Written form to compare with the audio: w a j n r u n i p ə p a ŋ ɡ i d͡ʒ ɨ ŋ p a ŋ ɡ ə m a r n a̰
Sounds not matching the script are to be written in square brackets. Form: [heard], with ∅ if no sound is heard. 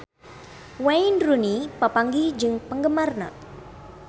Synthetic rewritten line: w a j n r u n i p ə p a ŋ ɡ i d͡ʒ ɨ ŋ p [ə] ŋ ɡ ə m a r n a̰